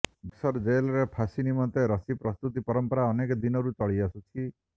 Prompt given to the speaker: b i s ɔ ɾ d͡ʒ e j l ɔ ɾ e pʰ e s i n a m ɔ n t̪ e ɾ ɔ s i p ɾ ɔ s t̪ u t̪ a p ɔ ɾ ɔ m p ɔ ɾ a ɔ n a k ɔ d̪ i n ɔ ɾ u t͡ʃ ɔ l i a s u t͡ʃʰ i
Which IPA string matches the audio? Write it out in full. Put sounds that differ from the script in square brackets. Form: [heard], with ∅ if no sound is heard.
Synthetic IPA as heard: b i s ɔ ɾ d͡ʒ e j l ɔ ɾ e pʰ [a] s i n [i] m ɔ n t̪ e ɾ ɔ s i p ɾ ɔ s t̪ u t̪ [i] p ɔ ɾ ɔ m p ɔ ɾ a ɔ n [e] k ɔ d̪ i n ɔ ɾ u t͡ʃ ɔ [ɭ] i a s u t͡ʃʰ i